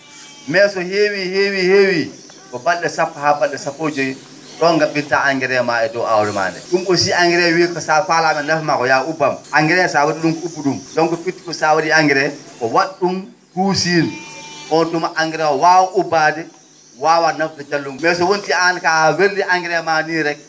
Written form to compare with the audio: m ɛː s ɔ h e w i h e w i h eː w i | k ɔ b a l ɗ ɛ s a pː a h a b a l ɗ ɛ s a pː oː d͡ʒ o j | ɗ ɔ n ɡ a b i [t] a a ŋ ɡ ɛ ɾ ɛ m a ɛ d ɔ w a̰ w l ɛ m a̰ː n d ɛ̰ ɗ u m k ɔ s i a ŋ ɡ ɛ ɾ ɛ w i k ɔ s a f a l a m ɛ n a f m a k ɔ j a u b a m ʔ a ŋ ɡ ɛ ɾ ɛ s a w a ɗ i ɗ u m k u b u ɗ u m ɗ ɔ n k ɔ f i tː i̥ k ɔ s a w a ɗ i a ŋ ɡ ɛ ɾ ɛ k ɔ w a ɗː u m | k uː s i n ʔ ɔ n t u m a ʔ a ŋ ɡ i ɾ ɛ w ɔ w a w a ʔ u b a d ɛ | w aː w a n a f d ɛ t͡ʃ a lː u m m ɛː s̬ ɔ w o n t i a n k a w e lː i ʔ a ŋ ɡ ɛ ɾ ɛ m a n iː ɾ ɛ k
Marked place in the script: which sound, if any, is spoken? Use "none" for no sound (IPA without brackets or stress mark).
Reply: t